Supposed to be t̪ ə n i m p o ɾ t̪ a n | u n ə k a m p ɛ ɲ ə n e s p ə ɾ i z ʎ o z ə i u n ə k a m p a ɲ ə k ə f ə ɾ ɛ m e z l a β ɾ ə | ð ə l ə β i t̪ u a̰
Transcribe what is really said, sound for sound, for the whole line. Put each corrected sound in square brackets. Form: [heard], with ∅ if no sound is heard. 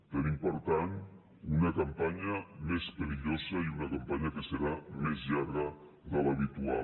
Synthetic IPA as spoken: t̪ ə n i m p o ɾ t̪ a n | u n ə k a m p [a] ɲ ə [m] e s p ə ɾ i [∅] ʎ o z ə i u n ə k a m p a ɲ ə k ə [s] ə ɾ [a] m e z [ʎ] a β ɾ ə | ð ə l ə β i t̪ u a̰